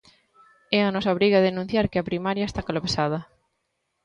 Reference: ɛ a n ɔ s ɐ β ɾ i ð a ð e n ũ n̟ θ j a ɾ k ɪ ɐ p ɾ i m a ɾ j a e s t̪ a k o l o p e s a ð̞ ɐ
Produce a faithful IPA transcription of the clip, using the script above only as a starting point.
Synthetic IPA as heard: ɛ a n ɔ s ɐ β ɾ i ɣ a ð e n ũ n̟ θ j a ɾ k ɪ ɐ p ɾ i m a ɾ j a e s t̪ a k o l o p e s a ð̞ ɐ